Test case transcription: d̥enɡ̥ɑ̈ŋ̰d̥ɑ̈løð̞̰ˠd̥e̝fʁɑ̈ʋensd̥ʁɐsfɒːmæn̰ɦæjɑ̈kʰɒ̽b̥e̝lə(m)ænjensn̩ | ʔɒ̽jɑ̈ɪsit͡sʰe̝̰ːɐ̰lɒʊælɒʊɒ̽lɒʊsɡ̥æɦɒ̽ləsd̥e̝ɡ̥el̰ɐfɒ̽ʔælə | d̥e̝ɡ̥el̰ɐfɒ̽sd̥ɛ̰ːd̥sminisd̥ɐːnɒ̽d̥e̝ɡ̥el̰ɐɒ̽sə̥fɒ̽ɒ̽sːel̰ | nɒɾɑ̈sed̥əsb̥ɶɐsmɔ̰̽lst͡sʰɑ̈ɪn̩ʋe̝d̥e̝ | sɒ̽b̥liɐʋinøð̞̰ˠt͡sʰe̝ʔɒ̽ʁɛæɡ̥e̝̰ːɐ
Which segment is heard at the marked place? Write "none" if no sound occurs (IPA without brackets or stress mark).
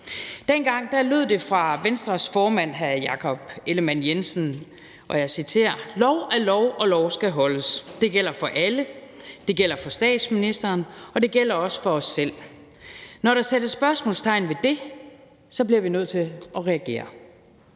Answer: m